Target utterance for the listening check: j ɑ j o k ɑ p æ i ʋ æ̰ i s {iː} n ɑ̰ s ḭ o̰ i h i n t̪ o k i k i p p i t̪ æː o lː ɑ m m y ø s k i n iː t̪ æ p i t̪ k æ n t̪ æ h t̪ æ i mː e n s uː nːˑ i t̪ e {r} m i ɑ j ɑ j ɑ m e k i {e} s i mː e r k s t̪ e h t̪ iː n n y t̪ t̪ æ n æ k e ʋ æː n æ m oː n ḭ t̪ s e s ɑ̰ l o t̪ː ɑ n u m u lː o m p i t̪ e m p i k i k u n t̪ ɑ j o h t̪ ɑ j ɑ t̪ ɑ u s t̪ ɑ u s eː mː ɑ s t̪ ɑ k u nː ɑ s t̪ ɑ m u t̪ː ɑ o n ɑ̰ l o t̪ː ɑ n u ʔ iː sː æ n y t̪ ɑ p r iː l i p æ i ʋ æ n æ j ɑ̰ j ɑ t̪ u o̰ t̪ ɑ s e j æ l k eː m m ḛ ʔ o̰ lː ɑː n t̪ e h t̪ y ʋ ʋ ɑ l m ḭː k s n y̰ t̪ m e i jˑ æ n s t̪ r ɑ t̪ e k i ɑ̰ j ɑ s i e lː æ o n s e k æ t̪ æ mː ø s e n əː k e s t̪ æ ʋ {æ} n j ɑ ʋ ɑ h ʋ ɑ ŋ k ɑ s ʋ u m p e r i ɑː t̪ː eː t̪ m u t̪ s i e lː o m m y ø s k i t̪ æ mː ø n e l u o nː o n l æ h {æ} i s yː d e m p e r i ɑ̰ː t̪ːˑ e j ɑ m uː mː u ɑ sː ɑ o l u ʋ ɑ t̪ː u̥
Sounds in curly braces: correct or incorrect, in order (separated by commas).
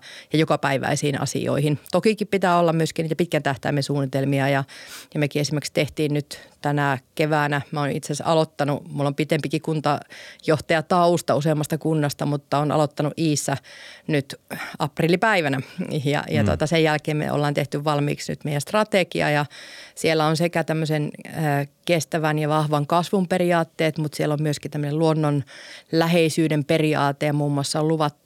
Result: correct, incorrect, correct, correct, incorrect